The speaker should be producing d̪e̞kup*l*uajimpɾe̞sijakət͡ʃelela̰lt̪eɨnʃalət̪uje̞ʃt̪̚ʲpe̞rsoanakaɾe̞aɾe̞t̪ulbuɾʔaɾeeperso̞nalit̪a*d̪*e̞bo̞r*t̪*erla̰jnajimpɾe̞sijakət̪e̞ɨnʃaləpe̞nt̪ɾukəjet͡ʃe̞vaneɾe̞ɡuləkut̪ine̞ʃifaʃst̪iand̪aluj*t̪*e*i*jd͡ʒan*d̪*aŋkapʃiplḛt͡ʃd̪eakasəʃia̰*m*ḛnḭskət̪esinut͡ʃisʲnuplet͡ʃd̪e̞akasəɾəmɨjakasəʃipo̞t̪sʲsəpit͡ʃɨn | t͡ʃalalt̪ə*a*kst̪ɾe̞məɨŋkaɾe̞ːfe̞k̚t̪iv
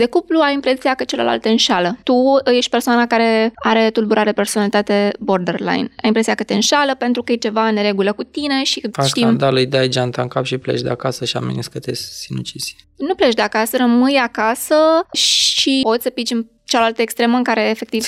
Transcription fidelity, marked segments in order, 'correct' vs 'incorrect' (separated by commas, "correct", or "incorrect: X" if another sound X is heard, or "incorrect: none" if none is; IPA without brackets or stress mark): correct, incorrect: t̪, incorrect: d̪, incorrect: d̪, incorrect: a, incorrect: t̪, correct, incorrect: e